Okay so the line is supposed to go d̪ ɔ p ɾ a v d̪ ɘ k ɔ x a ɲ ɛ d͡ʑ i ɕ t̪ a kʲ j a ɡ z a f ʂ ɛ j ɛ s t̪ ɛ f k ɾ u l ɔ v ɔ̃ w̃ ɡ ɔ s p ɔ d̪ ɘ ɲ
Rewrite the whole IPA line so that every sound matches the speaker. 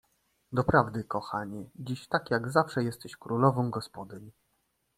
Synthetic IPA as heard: d̪ ɔ p ɾ a v d̪ ɘ k ɔ x a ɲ ɛ d͡ʑ i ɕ t̪ a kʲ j a ɡ z a f ʂ ɛ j ɛ s t̪ ɛ ɕ k ɾ u l ɔ v ɔ̃ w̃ ɡ ɔ s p ɔ d̪ ɘ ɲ